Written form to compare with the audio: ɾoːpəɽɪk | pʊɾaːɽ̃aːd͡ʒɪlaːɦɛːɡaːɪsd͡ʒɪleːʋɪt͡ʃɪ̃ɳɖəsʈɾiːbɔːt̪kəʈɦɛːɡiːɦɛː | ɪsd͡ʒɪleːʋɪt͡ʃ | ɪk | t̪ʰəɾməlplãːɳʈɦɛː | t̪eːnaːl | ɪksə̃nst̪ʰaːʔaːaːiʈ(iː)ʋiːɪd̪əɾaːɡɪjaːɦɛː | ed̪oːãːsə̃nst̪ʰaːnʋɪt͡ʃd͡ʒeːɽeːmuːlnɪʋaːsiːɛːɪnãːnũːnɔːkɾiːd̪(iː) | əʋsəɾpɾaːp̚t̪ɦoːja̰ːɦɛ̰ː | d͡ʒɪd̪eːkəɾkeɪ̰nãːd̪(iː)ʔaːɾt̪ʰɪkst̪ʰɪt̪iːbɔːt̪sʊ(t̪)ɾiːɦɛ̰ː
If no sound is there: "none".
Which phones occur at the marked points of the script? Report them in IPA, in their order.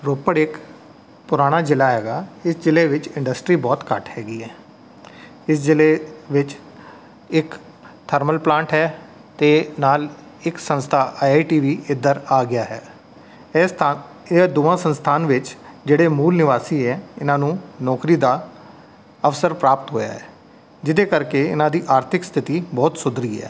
iː, aː, iː, d̪

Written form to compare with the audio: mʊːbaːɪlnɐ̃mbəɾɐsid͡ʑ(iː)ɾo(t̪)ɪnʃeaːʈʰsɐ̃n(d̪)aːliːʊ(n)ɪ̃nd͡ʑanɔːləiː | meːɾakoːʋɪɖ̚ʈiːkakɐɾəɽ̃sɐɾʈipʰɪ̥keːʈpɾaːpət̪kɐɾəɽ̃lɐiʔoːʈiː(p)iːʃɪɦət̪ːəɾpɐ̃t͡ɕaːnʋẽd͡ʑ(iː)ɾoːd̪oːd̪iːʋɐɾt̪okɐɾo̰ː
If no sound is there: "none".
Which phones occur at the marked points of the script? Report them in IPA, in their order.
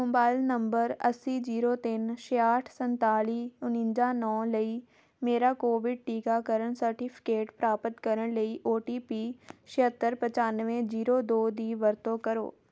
iː, t̪, t̪, n, p, iː

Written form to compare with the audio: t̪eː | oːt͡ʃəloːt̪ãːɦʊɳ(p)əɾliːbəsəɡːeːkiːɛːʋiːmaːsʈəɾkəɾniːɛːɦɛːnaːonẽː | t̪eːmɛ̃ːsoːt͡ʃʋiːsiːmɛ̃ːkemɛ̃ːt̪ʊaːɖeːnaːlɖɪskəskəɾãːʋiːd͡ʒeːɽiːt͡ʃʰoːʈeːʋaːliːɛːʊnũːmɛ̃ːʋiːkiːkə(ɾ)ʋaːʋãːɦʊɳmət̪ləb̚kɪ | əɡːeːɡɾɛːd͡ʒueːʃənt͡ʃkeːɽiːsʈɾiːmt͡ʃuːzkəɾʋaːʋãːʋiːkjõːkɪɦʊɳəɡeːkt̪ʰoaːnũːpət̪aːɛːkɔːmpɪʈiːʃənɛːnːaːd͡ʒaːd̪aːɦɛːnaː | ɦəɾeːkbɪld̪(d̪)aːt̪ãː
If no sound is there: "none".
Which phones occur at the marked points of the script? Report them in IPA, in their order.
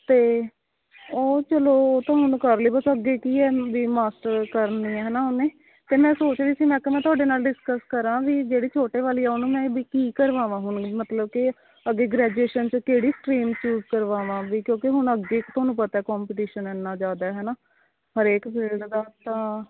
k, ɾ, d̪

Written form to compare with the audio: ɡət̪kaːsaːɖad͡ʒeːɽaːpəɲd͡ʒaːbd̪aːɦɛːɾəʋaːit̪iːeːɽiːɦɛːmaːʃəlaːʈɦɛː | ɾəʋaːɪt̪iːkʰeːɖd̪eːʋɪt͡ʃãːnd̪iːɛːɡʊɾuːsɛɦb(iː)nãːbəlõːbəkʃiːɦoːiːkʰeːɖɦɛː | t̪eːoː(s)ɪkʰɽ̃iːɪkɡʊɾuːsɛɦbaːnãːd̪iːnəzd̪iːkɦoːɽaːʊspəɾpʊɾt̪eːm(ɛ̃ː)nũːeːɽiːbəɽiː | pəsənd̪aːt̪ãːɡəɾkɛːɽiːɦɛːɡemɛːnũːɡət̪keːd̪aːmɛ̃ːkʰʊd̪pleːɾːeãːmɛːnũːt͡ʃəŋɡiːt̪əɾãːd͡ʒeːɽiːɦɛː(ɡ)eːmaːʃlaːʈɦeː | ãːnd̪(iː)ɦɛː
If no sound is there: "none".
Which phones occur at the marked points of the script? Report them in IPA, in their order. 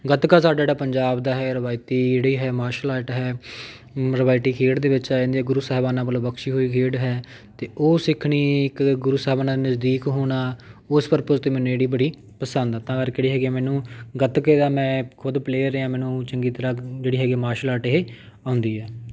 aː, s, ɛː, ɡ, iː

